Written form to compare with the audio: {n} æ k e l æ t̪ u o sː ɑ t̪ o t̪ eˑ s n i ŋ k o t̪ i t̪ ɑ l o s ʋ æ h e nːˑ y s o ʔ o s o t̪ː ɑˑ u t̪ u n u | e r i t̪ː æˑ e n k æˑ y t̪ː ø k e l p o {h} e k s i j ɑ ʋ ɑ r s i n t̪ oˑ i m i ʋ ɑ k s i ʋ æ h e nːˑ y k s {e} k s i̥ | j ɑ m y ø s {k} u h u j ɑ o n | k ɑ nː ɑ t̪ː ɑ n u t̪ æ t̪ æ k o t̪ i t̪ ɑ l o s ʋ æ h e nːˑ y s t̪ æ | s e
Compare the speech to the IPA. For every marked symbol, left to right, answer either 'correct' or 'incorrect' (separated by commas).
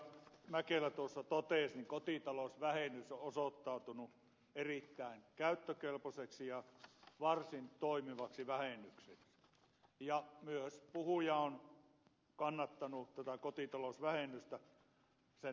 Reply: incorrect, incorrect, correct, incorrect